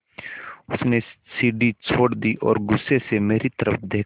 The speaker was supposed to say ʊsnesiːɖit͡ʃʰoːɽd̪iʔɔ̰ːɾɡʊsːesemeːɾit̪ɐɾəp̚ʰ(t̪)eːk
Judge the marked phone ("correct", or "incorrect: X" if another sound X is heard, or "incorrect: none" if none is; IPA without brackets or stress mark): incorrect: d̪